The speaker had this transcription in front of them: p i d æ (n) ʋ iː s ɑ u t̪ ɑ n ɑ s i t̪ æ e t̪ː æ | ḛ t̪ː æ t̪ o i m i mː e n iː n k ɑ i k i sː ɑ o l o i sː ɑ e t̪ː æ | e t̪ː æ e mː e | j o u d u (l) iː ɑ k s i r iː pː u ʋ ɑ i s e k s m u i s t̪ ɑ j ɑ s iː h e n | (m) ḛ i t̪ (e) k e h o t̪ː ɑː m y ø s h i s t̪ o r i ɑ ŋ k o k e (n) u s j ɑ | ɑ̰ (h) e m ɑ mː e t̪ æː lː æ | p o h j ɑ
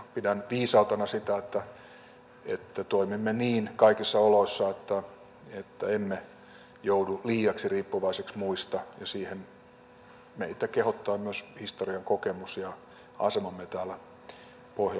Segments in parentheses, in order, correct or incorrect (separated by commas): correct, correct, correct, incorrect, incorrect, incorrect